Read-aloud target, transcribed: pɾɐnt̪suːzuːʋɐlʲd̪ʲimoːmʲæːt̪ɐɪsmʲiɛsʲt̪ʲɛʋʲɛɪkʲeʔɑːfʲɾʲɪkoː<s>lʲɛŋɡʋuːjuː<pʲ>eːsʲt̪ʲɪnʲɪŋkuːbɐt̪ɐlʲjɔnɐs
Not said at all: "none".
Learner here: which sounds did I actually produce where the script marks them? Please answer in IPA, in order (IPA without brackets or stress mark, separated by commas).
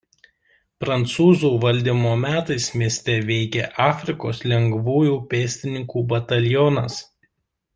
s, pʲ